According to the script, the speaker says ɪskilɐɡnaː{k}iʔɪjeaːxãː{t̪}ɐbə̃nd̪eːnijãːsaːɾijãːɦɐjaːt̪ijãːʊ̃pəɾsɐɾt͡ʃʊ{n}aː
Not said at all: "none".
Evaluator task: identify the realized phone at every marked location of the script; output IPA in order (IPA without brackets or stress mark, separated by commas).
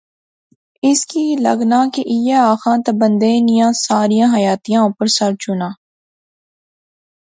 k, t̪, n